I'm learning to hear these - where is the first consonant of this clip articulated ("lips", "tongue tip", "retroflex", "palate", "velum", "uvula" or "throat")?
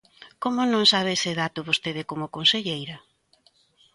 velum